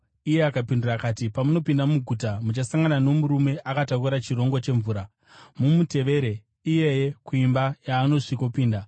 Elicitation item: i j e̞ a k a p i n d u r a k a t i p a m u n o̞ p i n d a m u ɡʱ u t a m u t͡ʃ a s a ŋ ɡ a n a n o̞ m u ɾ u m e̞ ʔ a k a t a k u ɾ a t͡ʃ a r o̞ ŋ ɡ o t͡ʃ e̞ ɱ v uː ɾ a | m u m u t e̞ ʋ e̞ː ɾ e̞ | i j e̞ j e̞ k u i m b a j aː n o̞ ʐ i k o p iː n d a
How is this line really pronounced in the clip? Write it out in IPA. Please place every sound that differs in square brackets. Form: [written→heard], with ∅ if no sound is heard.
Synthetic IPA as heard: i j e̞ a k a p i n d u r a k a t i p a m u n o̞ p i n d a m u ɡʱ u t a m u t͡ʃ a s a ŋ ɡ a n a n o̞ m u ɾ u m e̞ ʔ a k a t a k u ɾ a t͡ʃ [a→i] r o̞ ŋ ɡ o t͡ʃ e̞ ɱ v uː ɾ a | m u m u t e̞ ʋ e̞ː ɾ e̞ | i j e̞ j e̞ k u i m b a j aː n o̞ ʐ i k o p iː n d a